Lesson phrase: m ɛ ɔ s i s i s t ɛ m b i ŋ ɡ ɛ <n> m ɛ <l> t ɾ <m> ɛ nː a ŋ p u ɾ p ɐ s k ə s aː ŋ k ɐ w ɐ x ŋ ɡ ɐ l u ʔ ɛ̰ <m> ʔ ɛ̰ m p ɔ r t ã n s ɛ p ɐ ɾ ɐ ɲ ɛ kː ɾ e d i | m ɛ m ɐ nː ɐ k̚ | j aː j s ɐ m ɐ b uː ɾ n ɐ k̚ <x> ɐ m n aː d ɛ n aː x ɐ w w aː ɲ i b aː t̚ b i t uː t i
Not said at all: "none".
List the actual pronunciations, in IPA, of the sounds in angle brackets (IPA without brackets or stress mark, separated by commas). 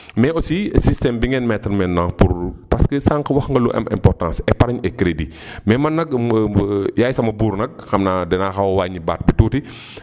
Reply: n, none, m, m, x